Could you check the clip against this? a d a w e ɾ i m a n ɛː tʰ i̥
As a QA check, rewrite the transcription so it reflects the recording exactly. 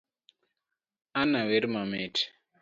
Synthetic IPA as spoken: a n a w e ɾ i m a m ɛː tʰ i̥